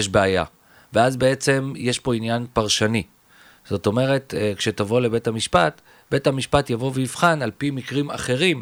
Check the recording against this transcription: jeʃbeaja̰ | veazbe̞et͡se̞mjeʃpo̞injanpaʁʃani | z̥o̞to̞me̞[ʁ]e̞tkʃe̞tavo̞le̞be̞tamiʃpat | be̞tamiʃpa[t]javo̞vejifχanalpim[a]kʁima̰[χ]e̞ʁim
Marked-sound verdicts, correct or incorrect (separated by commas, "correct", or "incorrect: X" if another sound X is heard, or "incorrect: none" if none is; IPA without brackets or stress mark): correct, correct, incorrect: i, correct